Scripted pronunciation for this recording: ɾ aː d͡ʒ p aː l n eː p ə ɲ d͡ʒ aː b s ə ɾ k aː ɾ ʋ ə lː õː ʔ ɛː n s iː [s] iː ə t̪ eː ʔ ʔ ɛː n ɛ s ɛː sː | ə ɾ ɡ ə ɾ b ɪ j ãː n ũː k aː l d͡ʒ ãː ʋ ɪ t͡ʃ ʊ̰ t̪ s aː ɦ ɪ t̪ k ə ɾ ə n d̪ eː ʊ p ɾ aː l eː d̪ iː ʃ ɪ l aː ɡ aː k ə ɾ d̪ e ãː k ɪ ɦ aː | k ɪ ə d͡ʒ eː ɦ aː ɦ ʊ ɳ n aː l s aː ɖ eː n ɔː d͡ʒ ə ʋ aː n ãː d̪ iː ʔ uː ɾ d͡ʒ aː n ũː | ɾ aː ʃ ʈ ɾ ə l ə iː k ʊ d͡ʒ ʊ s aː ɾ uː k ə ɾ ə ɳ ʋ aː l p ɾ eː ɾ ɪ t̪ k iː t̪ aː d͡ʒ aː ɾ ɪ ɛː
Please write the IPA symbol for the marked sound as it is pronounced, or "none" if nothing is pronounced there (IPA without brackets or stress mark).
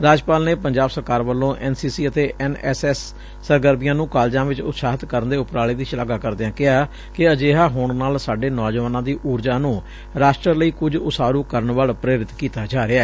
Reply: s